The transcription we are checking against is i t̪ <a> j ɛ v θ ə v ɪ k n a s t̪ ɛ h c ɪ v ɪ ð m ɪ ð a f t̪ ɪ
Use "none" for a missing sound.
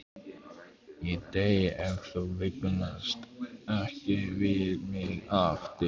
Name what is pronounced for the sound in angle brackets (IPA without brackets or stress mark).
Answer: e